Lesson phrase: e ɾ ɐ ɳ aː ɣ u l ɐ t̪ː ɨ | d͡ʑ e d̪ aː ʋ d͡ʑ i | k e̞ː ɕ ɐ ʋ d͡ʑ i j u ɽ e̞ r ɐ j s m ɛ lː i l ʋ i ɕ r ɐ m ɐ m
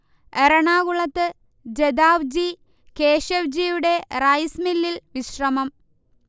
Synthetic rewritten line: e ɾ ɐ ɳ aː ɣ u ɭ ɐ t̪ː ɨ | d͡ʑ e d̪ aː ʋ d͡ʑ i | k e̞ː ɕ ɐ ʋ d͡ʑ i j u ɽ e̞ r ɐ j s m i lː i l ʋ i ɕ r ɐ m ɐ m